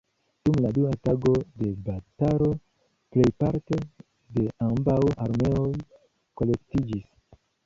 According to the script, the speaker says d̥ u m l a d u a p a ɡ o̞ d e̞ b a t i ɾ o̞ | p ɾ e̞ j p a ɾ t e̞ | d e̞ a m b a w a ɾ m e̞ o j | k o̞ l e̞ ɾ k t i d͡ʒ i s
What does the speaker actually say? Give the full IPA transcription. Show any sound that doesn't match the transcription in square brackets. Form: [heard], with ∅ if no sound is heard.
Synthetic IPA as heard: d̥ u m l a d u a [t] a ɡ o̞ d e̞ b a t [a] ɾ o̞ | p [l] e̞ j p a ɾ t e̞ | d e̞ a m b a w a ɾ m e̞ o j | k o̞ l e̞ [∅] k t i d͡ʒ i s